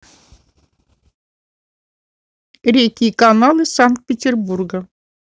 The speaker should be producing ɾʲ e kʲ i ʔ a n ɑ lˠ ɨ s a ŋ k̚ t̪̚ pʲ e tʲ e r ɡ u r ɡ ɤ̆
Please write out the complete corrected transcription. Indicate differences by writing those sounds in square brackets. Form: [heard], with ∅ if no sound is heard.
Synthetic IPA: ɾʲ e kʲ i [k] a n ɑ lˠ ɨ s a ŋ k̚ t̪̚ pʲ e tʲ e r [b] u r ɡ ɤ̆